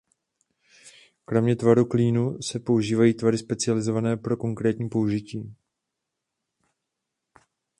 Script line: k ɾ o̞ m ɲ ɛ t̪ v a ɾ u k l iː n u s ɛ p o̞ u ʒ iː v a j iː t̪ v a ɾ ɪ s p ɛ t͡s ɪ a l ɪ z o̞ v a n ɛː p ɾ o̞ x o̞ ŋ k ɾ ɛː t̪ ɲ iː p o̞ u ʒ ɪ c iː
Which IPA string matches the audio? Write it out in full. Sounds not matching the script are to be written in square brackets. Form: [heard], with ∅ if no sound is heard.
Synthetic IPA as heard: k ɾ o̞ m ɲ ɛ t̪ v a ɾ u k l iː n u s ɛ p o̞ u ʒ iː v a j iː t̪ v a ɾ ɪ s p ɛ t͡s ɪ a l ɪ z o̞ v a n ɛː p ɾ o̞ [k] o̞ ŋ k ɾ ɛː t̪ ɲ iː p o̞ u ʒ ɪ c iː